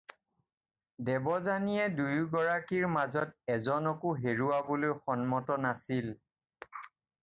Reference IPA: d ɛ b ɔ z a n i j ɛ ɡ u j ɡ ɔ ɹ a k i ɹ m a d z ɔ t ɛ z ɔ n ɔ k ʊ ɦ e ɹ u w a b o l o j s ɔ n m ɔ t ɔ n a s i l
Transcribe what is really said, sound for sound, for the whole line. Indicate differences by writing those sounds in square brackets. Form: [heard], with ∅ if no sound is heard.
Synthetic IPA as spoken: d ɛ b ɔ z a n i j ɛ [d] u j ɡ ɔ ɹ a k i ɹ m a [∅] z ɔ t ɛ z ɔ n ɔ k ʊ ɦ e ɹ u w a b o l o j [x] ɔ n m ɔ t ɔ n a s i l